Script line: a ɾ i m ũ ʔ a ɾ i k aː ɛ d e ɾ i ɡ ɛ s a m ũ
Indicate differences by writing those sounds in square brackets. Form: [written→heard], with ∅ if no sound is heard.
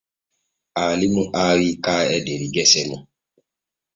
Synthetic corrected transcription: a [ɾ→l] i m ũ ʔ a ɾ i k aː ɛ d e ɾ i ɡ ɛ s [a→ɛ] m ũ

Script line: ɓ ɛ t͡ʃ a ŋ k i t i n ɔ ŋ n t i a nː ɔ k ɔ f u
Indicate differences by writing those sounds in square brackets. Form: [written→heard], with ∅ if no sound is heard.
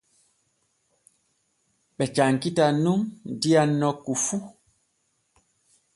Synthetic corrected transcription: ɓ ɛ t͡ʃ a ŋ k i t [i→a] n [ɔ→u] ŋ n [t→d] i a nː ɔ k [ɔ→u] f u

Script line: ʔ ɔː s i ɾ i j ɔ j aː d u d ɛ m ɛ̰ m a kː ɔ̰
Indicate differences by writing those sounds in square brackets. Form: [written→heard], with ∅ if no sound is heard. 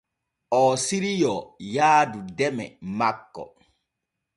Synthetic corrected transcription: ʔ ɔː s i ɾ i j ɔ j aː d u d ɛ m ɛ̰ m a kː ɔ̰

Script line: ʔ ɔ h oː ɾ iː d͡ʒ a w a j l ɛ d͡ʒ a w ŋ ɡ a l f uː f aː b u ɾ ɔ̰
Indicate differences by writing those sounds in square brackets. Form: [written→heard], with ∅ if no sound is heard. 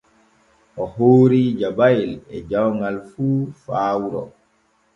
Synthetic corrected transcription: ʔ ɔ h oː ɾ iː d͡ʒ a [w→b] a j l ɛ d͡ʒ a w ŋ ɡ a l f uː f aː [b→w] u ɾ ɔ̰

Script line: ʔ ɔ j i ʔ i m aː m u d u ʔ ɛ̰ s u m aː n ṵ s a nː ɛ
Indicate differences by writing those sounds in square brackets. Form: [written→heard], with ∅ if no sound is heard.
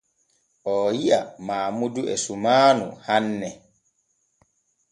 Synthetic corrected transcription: ʔ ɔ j i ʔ [i→a] m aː m u d u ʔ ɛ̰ s u m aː n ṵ [s→h] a nː ɛ

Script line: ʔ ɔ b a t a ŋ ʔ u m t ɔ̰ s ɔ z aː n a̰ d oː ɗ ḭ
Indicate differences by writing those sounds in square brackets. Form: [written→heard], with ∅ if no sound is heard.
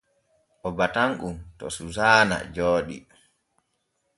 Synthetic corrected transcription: ʔ ɔ b a t a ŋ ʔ u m t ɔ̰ s [ɔ→u] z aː n a̰ [d→d͡ʒ] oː ɗ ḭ

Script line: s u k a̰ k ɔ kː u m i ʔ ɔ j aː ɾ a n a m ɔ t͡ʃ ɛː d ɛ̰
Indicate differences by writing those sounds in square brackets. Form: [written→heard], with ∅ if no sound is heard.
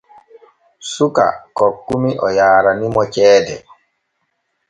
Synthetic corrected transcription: s u k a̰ k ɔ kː u m i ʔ ɔ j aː ɾ a n [a→i] m ɔ t͡ʃ ɛː d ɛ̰

